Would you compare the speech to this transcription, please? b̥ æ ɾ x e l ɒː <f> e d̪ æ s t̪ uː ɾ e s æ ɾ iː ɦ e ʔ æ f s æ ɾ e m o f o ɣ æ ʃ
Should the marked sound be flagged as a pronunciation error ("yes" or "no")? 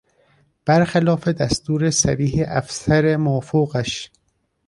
no